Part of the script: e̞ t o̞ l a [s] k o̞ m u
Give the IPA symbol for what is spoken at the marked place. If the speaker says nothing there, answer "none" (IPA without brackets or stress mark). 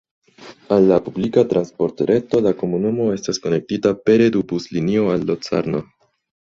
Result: none